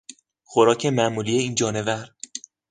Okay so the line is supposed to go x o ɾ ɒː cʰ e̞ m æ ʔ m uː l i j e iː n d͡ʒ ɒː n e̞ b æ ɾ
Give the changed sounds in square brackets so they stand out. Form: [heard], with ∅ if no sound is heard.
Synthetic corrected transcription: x o ɾ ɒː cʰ e̞ m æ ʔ m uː l i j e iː n d͡ʒ ɒː n e̞ [v] æ ɾ